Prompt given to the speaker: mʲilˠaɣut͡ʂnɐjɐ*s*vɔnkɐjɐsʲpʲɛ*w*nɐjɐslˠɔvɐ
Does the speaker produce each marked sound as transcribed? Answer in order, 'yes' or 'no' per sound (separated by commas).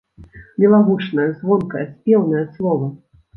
no, yes